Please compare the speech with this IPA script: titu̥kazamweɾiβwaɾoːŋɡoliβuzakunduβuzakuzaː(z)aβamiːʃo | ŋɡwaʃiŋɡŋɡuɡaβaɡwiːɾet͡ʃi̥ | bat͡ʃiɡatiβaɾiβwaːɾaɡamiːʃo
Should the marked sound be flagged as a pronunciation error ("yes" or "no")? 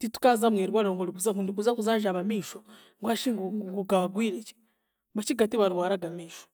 yes